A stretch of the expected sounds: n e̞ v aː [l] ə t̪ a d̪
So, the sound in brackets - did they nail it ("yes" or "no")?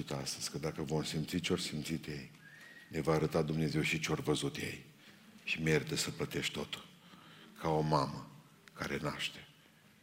no